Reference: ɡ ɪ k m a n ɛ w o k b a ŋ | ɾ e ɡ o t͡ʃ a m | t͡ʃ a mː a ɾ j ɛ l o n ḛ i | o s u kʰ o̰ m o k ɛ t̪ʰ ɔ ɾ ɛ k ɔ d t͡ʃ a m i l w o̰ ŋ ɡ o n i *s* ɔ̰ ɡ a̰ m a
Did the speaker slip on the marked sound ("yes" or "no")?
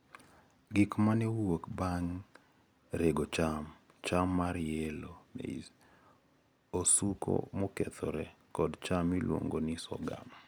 no